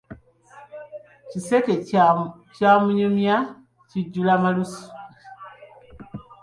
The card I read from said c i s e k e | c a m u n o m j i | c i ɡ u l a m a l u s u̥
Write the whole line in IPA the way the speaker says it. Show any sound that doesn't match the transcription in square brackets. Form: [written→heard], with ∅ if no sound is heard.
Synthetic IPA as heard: c i s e k e | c a m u [n→ɲ] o m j [i→a] | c i [ɡ→ɟ] u l a m a l u s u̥